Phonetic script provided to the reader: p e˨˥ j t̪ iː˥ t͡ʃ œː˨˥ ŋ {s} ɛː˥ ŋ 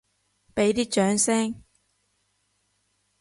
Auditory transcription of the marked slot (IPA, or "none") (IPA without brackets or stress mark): s